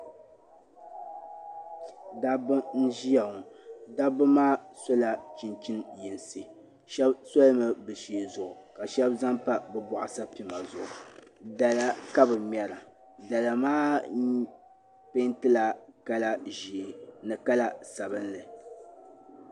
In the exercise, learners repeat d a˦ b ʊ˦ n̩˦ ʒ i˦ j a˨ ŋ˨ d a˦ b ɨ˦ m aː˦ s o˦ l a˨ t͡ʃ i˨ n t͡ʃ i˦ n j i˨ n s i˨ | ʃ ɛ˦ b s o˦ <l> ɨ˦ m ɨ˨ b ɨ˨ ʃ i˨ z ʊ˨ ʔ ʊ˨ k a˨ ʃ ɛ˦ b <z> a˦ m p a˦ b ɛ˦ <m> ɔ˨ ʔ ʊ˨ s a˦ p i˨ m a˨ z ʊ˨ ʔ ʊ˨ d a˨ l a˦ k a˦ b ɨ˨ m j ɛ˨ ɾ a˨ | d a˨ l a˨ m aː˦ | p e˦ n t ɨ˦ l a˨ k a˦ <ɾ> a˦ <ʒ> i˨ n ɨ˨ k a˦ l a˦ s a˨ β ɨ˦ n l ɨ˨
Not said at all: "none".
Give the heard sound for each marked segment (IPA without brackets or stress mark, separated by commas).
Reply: l, z, b, l, ʒ